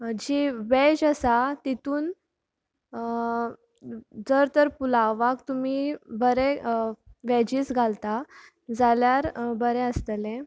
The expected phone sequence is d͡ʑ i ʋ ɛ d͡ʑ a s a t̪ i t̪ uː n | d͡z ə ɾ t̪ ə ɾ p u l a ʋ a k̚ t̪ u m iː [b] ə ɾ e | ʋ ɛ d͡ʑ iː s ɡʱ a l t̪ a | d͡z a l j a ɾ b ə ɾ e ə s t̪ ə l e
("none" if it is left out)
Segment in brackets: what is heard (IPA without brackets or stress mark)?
b